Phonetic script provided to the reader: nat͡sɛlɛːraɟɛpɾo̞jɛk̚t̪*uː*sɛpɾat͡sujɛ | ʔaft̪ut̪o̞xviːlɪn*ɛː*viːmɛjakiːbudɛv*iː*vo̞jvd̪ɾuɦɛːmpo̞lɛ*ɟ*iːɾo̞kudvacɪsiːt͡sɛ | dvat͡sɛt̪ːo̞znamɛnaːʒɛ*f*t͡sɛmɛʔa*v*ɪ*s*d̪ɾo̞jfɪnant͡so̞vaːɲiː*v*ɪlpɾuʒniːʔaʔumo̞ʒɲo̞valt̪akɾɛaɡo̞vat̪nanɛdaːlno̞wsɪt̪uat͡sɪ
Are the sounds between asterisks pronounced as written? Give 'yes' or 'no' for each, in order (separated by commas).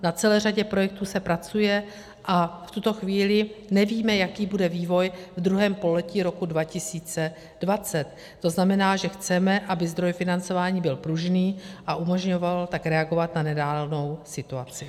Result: yes, no, yes, no, no, no, no, no